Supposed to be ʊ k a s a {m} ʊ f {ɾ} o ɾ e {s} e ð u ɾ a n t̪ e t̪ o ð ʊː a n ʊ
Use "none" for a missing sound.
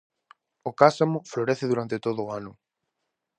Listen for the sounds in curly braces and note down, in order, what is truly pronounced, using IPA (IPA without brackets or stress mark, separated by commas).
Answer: m, l, θ